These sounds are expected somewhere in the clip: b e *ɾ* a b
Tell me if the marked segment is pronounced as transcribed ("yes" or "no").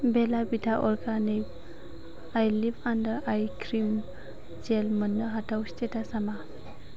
no